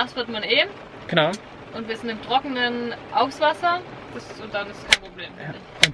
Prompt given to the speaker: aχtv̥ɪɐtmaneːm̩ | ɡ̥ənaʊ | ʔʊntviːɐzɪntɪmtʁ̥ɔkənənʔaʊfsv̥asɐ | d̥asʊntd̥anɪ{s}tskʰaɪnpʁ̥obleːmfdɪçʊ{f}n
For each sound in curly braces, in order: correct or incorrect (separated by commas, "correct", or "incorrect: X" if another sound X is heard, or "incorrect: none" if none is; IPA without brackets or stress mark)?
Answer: correct, incorrect: none